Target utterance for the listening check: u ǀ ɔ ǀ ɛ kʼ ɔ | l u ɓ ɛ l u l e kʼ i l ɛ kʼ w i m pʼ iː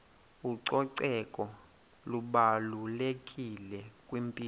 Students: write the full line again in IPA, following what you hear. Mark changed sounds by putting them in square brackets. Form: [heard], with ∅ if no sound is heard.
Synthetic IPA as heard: u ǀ ɔ ǀ ɛ kʼ ɔ | l u ɓ [a] l u l e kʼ i l ɛ kʼ w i m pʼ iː